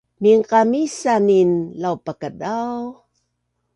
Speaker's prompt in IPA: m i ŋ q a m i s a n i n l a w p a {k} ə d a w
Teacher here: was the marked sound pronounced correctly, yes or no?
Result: yes